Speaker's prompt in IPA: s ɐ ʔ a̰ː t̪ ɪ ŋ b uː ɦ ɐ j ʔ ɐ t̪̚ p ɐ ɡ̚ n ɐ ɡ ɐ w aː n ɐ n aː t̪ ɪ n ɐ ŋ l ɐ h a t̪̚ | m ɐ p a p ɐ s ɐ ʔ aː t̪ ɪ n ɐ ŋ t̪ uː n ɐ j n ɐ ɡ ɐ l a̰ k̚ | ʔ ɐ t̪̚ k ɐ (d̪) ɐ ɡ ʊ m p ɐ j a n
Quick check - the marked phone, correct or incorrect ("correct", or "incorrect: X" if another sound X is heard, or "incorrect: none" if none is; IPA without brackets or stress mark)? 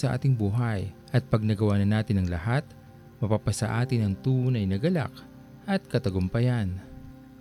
incorrect: t̪